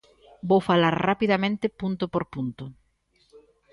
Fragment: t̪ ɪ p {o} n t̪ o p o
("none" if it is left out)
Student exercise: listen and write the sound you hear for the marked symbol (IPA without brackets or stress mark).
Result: u